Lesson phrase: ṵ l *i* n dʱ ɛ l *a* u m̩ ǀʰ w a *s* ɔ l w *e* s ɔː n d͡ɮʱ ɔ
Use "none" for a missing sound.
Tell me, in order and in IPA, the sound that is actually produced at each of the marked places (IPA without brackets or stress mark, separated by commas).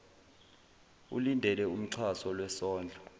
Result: i, ɛ, s, ɛ